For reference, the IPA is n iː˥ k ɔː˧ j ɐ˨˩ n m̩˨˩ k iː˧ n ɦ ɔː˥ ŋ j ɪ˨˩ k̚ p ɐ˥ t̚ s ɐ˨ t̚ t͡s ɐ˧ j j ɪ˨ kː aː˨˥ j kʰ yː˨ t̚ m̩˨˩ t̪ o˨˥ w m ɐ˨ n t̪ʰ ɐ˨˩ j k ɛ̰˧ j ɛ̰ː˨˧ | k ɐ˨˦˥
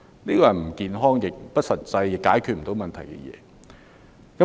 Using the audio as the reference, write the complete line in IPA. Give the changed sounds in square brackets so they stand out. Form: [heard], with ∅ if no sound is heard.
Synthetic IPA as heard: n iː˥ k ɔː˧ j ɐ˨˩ n m̩˨˩ k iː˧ n ɦ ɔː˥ ŋ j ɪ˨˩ k̚ p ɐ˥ t̚ s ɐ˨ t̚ t͡s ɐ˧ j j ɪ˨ kː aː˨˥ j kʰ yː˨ t̚ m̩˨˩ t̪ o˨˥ w m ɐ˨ n t̪ʰ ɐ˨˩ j k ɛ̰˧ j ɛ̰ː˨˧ | k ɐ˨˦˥